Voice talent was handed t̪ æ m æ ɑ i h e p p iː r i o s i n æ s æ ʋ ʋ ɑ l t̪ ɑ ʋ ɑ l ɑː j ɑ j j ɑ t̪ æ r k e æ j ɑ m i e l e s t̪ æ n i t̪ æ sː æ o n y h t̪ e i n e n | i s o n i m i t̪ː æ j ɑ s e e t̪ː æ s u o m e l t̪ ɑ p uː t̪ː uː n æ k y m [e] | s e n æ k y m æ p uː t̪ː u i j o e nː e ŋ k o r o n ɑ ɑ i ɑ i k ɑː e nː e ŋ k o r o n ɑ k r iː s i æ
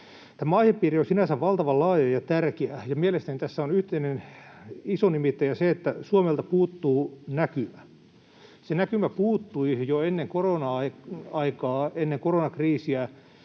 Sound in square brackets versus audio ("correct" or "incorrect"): incorrect